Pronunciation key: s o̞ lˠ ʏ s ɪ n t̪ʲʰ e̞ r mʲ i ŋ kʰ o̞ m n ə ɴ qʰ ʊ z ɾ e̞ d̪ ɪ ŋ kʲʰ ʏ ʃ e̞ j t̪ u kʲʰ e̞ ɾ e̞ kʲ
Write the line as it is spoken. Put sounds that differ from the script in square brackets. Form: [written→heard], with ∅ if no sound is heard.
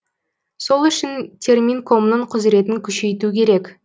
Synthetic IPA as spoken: s o̞ lˠ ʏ [s→ʃ] ɪ n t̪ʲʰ e̞ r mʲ i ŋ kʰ o̞ m n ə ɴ qʰ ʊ z ɾ e̞ [d̪→t̪] ɪ ŋ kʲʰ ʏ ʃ e̞ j t̪ u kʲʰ e̞ ɾ e̞ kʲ